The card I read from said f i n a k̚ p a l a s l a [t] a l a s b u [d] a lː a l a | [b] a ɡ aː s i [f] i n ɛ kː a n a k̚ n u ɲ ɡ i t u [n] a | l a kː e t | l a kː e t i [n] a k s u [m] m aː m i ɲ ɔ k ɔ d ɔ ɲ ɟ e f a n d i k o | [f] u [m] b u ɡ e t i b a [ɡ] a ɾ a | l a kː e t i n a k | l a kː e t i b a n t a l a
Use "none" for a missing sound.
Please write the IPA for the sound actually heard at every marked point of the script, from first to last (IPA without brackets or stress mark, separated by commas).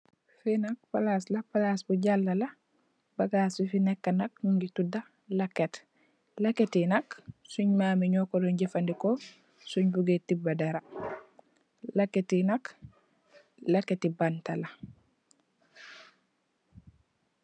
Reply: p, ɟ, b, f, d, n, ɲ, s, ɲ, d